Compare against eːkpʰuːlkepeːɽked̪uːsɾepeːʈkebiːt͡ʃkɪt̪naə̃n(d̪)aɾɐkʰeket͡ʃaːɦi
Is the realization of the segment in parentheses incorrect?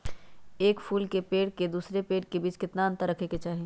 yes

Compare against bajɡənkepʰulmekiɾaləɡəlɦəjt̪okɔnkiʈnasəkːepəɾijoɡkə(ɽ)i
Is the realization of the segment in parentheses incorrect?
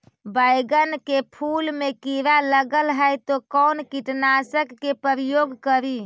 yes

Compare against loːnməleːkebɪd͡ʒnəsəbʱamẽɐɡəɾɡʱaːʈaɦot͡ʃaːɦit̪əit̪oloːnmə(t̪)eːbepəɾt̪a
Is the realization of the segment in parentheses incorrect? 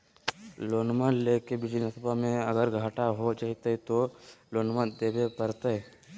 yes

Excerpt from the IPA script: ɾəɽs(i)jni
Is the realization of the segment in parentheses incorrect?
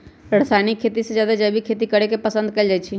yes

